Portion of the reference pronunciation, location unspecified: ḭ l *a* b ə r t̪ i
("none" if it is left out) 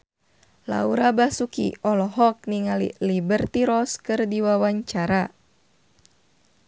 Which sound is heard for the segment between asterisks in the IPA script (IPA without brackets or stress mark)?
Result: i